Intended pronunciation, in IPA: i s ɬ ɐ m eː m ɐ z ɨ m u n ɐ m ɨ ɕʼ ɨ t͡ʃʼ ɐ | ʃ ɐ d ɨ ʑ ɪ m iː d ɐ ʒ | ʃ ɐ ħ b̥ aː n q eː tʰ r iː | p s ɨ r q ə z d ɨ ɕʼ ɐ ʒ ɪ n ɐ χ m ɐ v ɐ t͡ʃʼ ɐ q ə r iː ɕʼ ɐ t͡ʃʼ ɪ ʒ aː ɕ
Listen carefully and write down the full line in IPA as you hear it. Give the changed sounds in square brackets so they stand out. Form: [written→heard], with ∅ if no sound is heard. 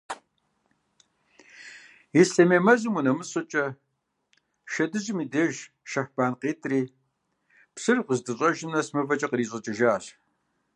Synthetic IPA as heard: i s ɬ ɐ m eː m ɐ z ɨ m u n ɐ m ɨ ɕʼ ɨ t͡ʃʼ ɐ | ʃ ɐ d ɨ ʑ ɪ m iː d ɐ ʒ | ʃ ɐ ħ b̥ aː n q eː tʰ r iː | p s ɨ r q ə z d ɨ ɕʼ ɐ ʒ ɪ n ɐ [χ→s] m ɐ v ɐ t͡ʃʼ ɐ q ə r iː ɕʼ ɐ t͡ʃʼ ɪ ʒ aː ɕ